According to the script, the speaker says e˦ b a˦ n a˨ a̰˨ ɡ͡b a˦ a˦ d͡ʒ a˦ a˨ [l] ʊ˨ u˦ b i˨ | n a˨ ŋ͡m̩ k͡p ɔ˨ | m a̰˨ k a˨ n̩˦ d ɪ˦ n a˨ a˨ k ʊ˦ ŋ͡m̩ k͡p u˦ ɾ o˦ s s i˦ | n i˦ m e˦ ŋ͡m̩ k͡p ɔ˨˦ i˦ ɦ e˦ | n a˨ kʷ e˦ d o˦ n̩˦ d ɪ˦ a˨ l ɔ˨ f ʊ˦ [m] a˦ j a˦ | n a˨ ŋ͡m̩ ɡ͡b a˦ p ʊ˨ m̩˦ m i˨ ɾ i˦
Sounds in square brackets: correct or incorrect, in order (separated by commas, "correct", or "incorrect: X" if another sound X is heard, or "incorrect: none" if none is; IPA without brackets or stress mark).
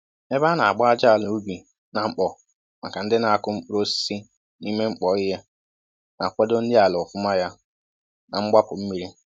correct, correct